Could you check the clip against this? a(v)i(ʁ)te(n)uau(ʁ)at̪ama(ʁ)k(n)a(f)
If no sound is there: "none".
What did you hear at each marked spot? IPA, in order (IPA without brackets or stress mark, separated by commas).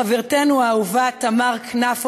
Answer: v, ʁ, n, v, ʁ, n, f